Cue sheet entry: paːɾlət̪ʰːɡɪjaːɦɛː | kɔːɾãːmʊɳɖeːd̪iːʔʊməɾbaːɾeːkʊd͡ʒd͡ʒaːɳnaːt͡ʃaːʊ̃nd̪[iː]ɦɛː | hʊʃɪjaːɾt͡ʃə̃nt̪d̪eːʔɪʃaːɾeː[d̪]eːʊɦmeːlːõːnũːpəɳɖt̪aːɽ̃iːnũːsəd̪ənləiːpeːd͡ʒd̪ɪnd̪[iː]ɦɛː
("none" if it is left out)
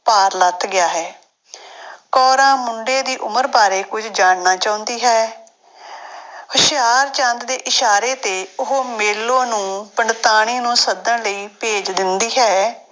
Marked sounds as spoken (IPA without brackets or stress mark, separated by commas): iː, t̪, iː